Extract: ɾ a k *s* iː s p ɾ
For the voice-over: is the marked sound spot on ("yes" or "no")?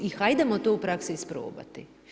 yes